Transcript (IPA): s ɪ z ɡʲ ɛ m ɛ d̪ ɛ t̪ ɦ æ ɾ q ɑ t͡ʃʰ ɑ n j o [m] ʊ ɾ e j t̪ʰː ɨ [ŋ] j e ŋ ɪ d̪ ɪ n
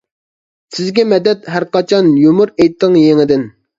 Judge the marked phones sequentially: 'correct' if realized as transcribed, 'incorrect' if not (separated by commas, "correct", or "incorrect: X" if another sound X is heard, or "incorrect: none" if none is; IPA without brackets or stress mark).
correct, correct